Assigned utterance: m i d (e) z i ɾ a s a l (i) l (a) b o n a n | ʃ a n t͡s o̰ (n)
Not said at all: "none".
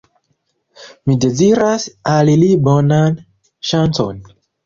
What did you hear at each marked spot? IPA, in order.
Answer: e, i, i, n

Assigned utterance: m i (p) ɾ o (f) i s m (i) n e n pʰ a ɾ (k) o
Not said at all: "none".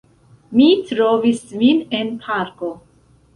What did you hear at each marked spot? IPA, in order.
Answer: t, v, i, k

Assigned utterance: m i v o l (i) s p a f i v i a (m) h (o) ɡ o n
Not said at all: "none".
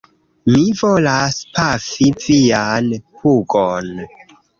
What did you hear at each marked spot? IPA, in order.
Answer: a, n, u

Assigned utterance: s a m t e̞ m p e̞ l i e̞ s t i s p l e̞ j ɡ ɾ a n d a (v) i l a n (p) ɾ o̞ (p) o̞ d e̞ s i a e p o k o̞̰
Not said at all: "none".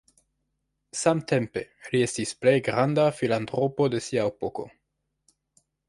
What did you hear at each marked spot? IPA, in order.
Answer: f, t, p

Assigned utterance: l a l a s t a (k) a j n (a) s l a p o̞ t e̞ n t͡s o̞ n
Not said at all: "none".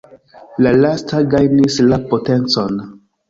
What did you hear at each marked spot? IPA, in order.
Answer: ɡ, i

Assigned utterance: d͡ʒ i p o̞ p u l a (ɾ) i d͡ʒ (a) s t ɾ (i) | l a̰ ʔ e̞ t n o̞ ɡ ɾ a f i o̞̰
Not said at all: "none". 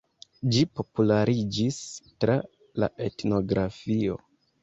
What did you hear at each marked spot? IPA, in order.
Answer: ɾ, i, a

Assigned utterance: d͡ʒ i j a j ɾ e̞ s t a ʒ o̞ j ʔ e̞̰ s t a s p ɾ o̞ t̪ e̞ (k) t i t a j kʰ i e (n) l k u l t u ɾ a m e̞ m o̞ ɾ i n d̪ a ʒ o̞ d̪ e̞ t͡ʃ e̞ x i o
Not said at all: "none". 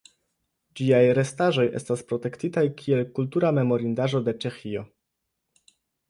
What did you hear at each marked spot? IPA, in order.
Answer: k, none

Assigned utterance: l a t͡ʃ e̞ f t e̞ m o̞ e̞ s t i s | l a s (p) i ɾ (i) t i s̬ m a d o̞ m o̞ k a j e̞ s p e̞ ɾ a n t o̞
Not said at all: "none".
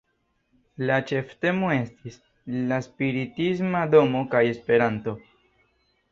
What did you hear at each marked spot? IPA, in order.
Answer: p, i

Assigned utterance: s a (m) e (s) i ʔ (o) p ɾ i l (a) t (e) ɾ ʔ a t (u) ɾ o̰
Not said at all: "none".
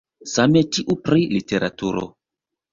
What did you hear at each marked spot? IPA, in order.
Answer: m, t, u, i, e, u

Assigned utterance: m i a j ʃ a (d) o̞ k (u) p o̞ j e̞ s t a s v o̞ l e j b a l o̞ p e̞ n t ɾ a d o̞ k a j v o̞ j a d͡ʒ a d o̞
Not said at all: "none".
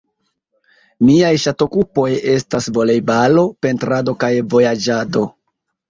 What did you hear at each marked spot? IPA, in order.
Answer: t, u

